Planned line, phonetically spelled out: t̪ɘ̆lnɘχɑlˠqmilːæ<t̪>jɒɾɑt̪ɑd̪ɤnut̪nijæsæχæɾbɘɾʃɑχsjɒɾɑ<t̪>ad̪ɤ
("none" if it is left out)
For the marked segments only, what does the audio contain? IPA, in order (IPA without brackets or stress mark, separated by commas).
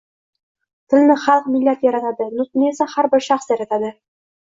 t̪, t̪